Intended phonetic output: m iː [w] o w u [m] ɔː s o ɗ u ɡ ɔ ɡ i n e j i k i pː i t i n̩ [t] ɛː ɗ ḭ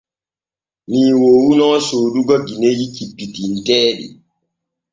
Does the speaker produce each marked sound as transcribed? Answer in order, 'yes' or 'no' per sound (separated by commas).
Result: yes, no, yes